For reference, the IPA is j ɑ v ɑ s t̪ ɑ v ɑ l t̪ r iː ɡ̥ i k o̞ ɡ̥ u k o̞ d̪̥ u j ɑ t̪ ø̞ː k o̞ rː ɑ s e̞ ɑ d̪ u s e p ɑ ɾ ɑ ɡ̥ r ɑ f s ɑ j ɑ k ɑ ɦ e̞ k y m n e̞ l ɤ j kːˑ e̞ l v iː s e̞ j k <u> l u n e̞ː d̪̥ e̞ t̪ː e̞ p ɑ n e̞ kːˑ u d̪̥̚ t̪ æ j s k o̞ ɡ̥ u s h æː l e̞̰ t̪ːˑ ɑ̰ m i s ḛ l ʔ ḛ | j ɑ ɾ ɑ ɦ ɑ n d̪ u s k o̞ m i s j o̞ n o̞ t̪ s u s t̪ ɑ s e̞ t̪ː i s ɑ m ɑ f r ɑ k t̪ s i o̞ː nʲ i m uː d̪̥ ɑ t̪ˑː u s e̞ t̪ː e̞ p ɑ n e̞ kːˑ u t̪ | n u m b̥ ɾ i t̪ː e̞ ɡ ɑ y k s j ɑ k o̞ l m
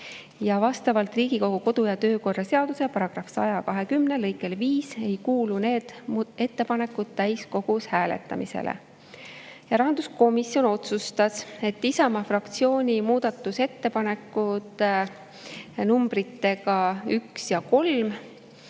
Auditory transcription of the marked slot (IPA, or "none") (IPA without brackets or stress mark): uː